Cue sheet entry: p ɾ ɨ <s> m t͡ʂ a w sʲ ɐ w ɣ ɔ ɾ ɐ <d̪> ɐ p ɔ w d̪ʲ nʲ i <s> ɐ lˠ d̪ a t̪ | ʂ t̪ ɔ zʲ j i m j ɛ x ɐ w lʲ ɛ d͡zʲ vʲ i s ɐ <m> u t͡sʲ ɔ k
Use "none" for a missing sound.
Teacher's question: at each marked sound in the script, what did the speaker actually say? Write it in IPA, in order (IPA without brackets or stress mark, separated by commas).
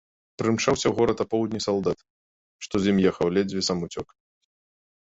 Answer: none, t̪, s, m